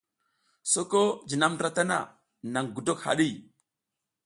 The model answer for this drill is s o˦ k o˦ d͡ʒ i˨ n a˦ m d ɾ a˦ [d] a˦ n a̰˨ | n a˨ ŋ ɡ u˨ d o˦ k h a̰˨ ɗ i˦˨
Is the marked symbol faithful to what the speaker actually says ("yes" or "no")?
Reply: no